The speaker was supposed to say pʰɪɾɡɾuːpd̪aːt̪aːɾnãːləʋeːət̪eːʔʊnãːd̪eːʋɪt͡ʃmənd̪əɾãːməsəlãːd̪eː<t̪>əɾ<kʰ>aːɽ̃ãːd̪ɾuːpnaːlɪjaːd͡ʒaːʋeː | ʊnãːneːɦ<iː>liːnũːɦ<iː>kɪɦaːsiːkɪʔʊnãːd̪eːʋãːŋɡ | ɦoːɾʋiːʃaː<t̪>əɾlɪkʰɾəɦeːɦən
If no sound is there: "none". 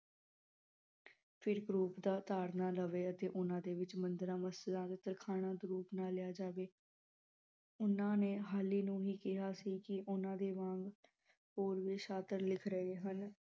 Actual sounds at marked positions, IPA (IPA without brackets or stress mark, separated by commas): t̪, kʰ, aː, iː, t̪